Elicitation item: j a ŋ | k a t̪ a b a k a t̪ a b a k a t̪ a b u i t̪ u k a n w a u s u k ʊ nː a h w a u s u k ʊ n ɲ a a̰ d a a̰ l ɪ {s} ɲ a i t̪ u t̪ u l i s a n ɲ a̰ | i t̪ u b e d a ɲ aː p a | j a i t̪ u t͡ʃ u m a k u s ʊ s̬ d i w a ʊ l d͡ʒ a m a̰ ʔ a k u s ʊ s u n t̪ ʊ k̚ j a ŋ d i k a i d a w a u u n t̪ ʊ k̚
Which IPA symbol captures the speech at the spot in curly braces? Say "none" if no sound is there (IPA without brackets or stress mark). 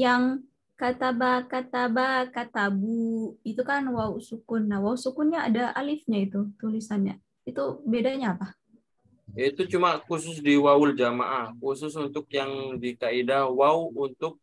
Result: f